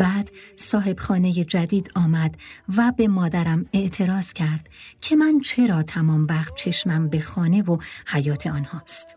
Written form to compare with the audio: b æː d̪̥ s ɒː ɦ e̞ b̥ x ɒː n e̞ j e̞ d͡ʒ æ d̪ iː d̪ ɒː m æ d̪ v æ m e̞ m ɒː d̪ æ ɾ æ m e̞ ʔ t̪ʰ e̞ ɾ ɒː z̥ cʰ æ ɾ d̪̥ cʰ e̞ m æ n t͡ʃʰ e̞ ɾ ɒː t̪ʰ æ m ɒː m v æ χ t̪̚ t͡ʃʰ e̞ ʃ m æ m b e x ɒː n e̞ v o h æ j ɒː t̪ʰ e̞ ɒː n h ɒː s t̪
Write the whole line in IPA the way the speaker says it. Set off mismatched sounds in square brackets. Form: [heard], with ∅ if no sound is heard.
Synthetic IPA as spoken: b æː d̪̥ s ɒː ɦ e̞ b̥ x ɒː n e̞ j e̞ d͡ʒ æ d̪ iː d̪ ɒː m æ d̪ v æ [b] e̞ m ɒː d̪ æ ɾ æ m e̞ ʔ t̪ʰ e̞ ɾ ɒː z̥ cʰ æ ɾ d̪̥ cʰ e̞ m æ n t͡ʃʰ e̞ ɾ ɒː t̪ʰ æ m ɒː m v æ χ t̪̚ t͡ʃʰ e̞ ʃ m æ m b e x ɒː n e̞ v o h æ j ɒː t̪ʰ e̞ ɒː n h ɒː s t̪